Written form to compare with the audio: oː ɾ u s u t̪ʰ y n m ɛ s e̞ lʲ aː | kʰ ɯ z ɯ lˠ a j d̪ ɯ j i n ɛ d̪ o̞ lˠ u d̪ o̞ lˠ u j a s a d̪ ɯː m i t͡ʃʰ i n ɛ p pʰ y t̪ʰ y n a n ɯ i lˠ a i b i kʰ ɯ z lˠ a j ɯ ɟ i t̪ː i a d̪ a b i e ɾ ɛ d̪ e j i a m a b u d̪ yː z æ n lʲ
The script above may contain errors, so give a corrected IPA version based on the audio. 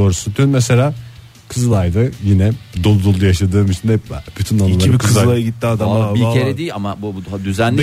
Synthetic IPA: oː ɾ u s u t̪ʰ y n m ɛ s e̞ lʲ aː | kʰ ɯ z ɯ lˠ a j d̪ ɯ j i n ɛ d̪ o̞ lˠ u d̪ o̞ lˠ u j a ʃ a d̪ ɯː m i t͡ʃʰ i n ɛ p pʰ y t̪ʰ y n a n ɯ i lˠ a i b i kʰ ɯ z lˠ a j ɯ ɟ i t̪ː i a d̪ a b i e ɾ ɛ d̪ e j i a m a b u d̪ y z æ n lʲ